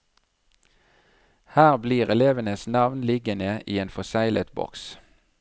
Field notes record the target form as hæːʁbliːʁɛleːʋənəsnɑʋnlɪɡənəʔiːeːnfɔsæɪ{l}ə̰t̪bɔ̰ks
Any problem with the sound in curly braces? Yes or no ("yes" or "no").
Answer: no